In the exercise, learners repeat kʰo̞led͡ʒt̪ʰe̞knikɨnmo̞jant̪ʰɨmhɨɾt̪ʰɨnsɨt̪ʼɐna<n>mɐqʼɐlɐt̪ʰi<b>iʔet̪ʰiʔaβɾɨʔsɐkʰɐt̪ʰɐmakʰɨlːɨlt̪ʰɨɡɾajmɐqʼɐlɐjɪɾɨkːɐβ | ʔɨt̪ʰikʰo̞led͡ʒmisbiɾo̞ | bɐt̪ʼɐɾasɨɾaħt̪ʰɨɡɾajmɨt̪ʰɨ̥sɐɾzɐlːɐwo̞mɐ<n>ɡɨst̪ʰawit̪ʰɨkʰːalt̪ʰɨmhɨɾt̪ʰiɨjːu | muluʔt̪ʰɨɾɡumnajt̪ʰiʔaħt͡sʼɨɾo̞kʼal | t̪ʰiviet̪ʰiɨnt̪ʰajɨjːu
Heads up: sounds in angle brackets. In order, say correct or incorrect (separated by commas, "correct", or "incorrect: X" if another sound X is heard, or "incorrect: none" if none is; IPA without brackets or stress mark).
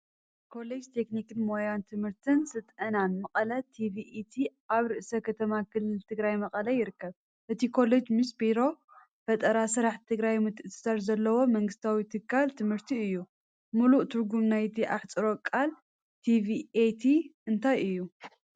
correct, incorrect: v, incorrect: ŋ